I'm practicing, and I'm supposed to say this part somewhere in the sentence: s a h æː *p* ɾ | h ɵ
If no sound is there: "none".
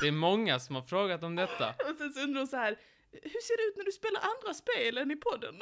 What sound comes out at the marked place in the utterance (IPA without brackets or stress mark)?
none